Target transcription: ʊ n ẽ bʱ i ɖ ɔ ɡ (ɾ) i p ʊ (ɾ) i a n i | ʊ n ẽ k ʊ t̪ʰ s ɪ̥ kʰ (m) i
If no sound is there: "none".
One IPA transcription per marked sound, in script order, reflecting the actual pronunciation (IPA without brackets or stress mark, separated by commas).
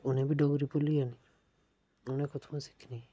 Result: ɾ, l, n